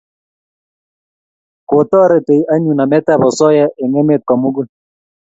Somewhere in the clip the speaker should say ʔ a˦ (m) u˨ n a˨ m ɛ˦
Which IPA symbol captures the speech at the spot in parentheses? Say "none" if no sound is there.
ɲ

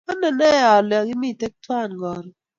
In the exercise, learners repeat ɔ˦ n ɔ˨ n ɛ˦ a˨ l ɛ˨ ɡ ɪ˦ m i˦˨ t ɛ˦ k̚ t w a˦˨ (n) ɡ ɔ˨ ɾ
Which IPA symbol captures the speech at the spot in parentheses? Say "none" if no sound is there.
n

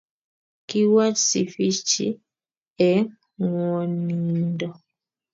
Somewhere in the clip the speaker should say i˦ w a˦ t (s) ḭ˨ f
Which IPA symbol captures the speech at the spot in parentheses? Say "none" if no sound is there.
s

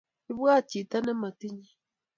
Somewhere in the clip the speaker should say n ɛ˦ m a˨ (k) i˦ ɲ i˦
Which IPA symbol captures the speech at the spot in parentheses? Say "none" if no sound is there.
t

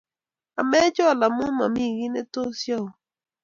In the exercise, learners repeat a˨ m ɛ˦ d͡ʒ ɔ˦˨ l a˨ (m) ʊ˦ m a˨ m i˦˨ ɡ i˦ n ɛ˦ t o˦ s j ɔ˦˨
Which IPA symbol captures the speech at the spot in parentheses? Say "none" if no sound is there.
m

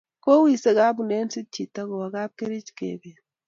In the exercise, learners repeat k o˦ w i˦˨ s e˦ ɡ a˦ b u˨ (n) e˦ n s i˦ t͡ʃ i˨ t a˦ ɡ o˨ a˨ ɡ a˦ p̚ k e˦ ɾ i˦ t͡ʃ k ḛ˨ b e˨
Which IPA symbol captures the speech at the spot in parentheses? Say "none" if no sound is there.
n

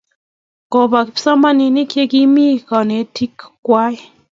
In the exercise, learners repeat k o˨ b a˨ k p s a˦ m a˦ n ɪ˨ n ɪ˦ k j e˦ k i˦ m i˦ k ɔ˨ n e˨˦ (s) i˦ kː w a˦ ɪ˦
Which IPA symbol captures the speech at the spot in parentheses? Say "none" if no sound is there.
t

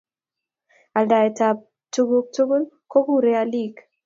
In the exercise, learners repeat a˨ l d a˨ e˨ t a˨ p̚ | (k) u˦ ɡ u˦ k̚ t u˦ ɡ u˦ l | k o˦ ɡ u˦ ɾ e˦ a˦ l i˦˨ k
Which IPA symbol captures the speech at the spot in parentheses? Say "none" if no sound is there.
t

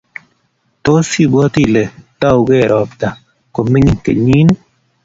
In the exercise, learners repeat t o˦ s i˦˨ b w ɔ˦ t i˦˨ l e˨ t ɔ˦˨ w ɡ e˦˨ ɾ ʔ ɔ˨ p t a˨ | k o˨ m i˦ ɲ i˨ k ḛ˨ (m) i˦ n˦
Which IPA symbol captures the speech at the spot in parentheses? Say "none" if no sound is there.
ɲ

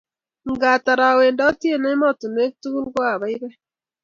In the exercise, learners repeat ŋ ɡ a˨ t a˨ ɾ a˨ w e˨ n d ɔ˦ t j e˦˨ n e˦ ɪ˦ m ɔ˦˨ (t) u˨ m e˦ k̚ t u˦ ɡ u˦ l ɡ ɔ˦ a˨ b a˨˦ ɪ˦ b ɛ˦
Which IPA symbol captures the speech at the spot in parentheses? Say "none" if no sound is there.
t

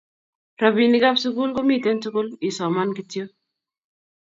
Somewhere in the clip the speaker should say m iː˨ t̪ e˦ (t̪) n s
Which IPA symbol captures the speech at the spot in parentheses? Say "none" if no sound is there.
none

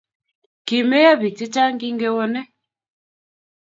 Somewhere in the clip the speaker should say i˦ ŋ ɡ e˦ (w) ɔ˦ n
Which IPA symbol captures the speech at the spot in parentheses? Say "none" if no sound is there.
w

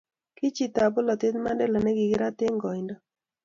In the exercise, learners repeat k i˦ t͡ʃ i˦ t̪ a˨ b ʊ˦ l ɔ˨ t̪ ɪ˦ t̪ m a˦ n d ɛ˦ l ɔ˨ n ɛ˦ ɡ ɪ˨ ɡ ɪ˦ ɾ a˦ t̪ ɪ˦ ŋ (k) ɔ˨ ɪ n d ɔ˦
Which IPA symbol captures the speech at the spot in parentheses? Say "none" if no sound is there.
ɡ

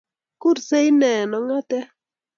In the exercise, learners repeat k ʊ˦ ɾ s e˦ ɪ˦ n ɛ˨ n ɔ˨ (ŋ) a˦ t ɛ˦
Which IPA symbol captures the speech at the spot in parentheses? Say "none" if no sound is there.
ŋ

